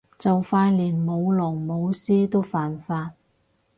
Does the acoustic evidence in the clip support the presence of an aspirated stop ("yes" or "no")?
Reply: no